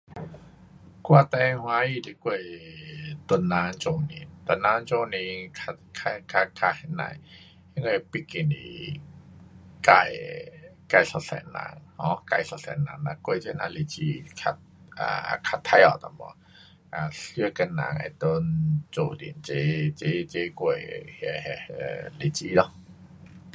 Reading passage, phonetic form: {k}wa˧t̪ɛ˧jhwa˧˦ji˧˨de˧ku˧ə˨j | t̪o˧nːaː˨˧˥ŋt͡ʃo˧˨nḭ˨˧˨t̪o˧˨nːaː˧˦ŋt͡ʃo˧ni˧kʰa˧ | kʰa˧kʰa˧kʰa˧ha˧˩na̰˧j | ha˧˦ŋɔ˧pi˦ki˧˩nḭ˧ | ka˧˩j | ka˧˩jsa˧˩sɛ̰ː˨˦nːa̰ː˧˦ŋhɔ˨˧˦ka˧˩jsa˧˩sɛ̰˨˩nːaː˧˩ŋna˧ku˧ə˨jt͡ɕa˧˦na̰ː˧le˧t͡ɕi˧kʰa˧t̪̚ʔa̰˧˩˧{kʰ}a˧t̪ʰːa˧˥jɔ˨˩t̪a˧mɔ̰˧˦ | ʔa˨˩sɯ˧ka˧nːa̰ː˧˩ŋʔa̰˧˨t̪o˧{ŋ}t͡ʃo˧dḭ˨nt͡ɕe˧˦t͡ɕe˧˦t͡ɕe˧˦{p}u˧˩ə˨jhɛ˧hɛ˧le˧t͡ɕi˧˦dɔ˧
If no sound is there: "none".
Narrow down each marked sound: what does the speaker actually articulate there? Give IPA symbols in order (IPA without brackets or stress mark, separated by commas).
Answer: k, kʰ, n, k